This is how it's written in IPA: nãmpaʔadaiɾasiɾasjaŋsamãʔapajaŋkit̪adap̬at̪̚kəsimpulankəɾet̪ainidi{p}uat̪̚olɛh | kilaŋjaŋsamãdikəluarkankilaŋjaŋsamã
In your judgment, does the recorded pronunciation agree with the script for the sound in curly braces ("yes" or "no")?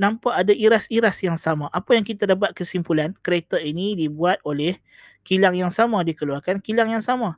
no